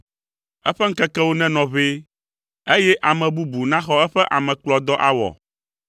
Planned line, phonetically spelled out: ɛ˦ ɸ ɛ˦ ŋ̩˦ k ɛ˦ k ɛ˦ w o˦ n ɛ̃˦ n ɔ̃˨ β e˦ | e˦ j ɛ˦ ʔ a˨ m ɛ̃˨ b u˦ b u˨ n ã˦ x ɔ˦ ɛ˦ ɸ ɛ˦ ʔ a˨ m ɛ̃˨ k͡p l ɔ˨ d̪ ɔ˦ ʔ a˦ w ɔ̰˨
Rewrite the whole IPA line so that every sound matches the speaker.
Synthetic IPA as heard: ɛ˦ ɸ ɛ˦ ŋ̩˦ k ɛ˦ k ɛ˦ w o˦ n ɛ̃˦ n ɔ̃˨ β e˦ | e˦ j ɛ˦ ʔ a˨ m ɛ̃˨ b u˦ b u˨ n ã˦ x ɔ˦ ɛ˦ ɸ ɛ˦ ʔ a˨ m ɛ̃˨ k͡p l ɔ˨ d̪ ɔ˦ ʔ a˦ w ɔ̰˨